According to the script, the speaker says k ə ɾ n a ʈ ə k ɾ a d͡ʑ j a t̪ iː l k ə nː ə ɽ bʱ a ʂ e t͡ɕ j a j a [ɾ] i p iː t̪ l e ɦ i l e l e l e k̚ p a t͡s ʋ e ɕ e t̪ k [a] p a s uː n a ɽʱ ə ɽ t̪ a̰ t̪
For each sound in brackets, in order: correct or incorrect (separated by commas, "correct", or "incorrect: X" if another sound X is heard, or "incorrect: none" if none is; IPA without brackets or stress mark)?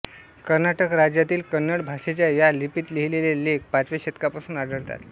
incorrect: l, correct